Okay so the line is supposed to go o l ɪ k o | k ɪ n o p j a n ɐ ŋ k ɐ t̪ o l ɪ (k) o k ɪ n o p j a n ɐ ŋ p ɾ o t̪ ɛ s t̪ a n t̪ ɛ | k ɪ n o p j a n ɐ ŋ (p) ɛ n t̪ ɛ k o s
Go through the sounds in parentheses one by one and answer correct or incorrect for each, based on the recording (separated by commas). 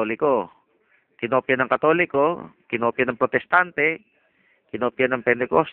correct, correct